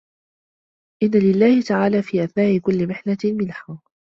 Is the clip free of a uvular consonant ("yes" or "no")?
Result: yes